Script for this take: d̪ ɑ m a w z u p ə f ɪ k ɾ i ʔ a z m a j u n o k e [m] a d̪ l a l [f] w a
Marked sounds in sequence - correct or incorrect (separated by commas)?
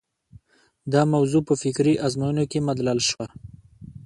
correct, incorrect